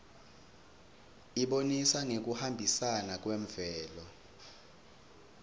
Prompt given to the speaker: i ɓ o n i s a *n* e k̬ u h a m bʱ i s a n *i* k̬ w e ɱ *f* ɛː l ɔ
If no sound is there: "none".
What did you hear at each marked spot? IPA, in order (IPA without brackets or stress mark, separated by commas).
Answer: ŋ, a, v